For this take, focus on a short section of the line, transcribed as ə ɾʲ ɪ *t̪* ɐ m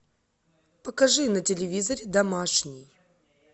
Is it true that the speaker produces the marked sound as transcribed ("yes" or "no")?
no